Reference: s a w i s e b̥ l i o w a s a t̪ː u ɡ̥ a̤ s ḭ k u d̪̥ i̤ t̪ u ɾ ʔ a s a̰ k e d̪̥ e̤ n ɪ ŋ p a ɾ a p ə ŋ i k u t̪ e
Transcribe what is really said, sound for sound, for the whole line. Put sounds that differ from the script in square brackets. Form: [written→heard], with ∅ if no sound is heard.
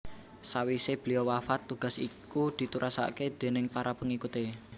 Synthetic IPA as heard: s a w i s e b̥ l i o w a [s→f] a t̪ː u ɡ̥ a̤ s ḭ k u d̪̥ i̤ t̪ u ɾ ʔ a s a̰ k e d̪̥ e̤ n ɪ ŋ p a ɾ a p ə ŋ i k u t̪ e